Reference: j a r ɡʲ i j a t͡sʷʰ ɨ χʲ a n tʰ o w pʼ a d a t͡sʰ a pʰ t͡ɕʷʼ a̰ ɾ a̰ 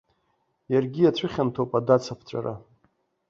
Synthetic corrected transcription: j a r ɡʲ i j a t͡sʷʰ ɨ χʲ a n tʰ o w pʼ a d a t͡sʰ a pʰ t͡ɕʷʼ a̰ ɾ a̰

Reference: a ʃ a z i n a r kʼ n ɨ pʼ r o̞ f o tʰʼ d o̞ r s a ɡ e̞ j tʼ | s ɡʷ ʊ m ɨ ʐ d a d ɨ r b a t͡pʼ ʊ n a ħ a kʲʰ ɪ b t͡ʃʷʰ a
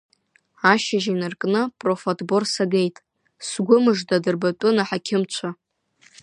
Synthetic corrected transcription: a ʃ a ʒ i n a r kʼ n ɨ pʼ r o̞ f o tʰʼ b o̞ r s a ɡ e̞ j tʼ | s ɡʷ ʊ m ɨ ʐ d a d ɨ r b a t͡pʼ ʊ n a ħ a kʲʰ ɪ m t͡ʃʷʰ a

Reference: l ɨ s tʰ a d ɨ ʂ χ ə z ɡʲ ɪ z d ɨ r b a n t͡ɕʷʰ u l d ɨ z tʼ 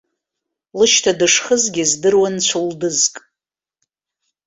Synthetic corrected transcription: l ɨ ʃ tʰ a d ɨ ʂ χ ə z ɡʲ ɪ z d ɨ r w a n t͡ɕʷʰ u l d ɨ z kʼ

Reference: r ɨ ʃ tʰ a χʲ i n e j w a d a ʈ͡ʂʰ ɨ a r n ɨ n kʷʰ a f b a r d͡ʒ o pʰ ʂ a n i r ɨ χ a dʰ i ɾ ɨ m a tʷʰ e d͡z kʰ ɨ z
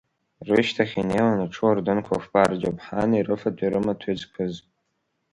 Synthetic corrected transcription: r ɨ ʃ tʰ a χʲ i n e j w a n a ʈ͡ʂʰ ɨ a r d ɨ n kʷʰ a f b a r d͡ʒ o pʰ ħ a n i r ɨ f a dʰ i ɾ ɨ m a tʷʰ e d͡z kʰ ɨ z

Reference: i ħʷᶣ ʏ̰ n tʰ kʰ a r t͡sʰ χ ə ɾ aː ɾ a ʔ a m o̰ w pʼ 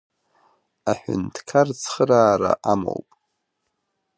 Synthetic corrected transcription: a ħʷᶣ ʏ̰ n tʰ kʰ a r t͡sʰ χ ə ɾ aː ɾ a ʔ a m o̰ w pʼ

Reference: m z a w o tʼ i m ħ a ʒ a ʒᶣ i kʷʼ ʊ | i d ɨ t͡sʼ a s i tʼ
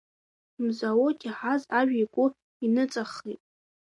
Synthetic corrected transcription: m z a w o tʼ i ħ a z a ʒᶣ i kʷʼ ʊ | i n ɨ t͡sʼ a χ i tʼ

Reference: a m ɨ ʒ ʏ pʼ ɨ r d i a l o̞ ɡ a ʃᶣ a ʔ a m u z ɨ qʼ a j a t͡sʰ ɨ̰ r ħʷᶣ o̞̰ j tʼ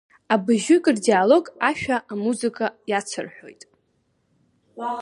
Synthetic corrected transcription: a b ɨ ʒ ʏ kʼ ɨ r d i a l o̞ ɡ a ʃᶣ a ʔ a m u z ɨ kʼ a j a t͡sʰ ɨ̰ r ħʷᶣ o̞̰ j tʼ

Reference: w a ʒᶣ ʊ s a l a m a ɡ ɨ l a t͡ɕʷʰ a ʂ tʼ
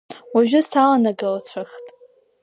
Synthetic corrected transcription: w a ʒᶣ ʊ s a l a n a ɡ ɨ l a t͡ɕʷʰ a χ tʼ

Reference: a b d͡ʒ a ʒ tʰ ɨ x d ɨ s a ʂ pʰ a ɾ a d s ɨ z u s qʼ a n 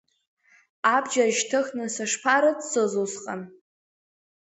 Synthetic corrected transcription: a b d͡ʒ a ʒ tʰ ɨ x n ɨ s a ʂ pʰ a ɾ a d s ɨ z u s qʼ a n

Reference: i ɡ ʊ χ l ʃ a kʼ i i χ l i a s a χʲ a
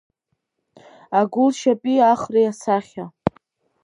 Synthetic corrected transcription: a ɡ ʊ l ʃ a pʼ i a χ r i a s a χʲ a

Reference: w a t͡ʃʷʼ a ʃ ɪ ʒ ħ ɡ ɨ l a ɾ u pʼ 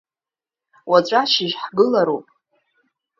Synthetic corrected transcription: w a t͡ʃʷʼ a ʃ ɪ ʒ ħ ɡ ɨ l a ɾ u pʼ

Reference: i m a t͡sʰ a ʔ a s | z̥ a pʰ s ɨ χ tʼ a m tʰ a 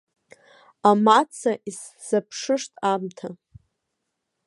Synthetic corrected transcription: a m a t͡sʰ a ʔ i s | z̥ a pʰ ʂ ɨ ʂ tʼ a m tʰ a

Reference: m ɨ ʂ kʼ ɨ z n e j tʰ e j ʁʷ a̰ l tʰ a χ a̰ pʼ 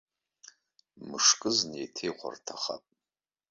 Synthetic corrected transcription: m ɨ ʂ kʼ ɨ z n e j tʰ e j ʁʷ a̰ r tʰ a χ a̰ pʼ

